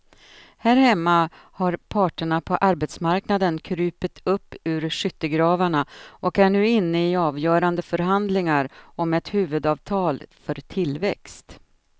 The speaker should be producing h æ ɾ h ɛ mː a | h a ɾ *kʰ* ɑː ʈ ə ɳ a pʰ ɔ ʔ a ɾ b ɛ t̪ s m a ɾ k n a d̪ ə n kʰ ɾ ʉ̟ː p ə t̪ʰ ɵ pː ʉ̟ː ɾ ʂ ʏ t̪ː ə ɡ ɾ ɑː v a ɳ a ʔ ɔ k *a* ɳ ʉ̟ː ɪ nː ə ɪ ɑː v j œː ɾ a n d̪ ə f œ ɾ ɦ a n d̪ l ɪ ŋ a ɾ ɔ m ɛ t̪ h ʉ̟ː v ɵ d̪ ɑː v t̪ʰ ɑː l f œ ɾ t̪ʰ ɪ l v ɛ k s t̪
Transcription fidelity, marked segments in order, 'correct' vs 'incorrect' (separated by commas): incorrect, incorrect